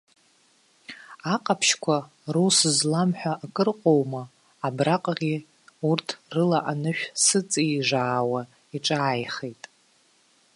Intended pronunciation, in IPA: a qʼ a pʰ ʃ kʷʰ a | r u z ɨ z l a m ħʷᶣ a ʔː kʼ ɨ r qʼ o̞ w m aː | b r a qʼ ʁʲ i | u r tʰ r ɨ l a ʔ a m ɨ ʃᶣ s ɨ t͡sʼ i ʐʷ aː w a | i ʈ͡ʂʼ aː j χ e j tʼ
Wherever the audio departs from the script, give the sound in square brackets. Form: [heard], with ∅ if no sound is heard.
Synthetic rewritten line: a qʼ a pʰ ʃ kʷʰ a | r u [s] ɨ z l a m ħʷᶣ a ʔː kʼ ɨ r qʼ o̞ w m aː | b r a qʼ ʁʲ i | u r tʰ r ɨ l a ʔ a [n] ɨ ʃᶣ s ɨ t͡sʼ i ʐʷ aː w a | i ʈ͡ʂʼ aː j χ e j tʼ